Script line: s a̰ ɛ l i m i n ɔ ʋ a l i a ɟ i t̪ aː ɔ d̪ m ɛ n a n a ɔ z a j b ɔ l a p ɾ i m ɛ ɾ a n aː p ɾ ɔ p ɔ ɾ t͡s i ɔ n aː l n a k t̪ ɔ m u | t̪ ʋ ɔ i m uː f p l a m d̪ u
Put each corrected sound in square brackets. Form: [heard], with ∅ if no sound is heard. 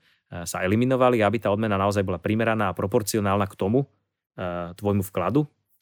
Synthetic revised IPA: s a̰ ɛ l i m i n ɔ ʋ a l i a [b] i t̪ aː ɔ d̪ m ɛ n a n a ɔ z a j b ɔ l a p ɾ i m ɛ ɾ a n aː p ɾ ɔ p ɔ ɾ t͡s i ɔ n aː l n a k t̪ ɔ m u | t̪ ʋ ɔ [j] m [u] f [k] l a [∅] d̪ u